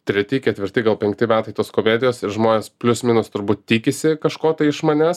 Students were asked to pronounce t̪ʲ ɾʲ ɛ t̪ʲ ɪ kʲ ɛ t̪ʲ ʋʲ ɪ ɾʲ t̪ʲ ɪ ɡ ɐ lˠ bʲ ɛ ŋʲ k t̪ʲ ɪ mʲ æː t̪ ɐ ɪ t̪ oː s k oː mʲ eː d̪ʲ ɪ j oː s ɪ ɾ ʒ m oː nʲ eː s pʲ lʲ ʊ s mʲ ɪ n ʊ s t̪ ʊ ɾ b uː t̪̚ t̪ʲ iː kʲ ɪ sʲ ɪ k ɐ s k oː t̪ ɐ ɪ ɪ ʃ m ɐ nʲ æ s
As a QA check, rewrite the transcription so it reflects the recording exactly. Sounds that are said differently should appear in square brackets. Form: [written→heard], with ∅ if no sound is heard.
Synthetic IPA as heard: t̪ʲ ɾʲ ɛ t̪ʲ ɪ kʲ ɛ t̪ʲ ʋʲ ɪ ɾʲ t̪ʲ ɪ ɡ ɐ lˠ [bʲ→pʲ] ɛ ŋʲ k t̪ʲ ɪ mʲ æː t̪ ɐ ɪ t̪ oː s k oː mʲ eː d̪ʲ ɪ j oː s ɪ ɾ ʒ m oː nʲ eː s pʲ lʲ ʊ s mʲ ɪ n ʊ s t̪ ʊ ɾ b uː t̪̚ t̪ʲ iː kʲ ɪ sʲ ɪ k ɐ [s→ʃ] k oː t̪ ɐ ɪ ɪ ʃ m ɐ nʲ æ s